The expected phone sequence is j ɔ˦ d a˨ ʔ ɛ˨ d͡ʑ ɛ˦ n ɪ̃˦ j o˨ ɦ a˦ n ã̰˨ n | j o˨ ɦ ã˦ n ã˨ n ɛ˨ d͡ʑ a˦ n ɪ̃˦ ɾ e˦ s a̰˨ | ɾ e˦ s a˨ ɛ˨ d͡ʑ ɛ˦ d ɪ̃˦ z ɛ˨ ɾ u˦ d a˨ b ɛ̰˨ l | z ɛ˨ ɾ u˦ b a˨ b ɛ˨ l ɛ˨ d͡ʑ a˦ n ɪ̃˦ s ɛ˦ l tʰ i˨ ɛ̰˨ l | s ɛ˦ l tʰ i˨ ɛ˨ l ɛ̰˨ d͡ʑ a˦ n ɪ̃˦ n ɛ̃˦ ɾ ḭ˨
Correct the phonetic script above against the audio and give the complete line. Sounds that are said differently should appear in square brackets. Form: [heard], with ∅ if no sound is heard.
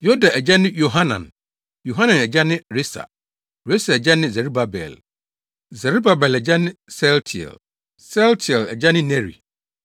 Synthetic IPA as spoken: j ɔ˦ d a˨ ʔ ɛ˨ d͡ʑ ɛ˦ n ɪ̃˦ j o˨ ɦ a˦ n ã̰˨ n | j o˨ ɦ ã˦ n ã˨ n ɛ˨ d͡ʑ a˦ n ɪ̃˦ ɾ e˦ s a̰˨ | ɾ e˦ s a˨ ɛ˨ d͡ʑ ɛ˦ [n] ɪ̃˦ z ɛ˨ ɾ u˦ [b] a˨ b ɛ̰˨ l | z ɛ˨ ɾ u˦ b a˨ b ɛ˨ l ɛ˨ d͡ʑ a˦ n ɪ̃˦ s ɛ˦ l tʰ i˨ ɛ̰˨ l | s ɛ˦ l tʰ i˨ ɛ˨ l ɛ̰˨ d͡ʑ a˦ n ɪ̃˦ n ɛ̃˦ ɾ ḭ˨